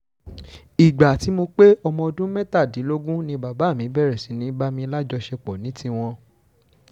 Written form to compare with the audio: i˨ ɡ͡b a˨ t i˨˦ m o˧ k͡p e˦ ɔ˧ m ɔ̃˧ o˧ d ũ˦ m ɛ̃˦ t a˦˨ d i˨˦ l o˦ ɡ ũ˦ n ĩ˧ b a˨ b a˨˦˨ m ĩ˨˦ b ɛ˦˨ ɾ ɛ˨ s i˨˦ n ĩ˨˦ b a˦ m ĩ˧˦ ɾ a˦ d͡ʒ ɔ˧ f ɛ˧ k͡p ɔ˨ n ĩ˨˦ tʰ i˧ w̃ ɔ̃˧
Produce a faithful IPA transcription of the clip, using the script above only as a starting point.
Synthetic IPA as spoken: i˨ ɡ͡b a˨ t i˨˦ m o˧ k͡p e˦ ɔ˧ m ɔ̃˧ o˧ d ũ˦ m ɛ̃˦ t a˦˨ d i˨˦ l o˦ ɡ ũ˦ n ĩ˧ b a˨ b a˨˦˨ m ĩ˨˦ b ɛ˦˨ ɾ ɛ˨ s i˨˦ n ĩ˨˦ b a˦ m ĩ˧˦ l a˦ d͡ʒ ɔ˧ ʃ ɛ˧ k͡p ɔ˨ n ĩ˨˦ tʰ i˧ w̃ ɔ̃˧